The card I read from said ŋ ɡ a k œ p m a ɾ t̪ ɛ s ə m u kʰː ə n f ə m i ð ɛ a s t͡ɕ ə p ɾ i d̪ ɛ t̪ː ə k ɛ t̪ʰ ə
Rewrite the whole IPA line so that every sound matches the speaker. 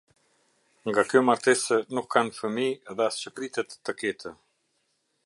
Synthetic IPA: ŋ ɡ a k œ m a ɾ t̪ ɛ s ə n u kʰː a n f ə m i ð ɛ a s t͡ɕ ə p ɾ i t̪ ɛ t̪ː ə k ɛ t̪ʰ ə